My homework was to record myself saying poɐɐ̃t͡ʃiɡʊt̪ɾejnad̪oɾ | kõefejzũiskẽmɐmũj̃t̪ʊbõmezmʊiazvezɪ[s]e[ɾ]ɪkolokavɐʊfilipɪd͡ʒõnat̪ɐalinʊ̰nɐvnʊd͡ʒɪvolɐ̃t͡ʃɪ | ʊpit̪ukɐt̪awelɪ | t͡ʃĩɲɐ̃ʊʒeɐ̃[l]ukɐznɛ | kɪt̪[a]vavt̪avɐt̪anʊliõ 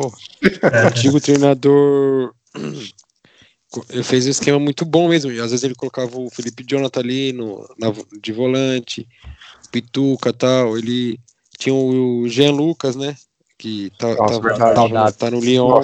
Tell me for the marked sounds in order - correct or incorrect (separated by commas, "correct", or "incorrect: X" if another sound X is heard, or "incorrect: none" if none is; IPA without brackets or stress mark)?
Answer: incorrect: z, incorrect: l, correct, correct